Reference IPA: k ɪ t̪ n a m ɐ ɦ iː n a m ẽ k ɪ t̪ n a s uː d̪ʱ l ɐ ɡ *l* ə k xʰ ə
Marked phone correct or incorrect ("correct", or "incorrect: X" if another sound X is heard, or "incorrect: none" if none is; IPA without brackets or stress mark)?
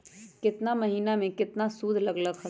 correct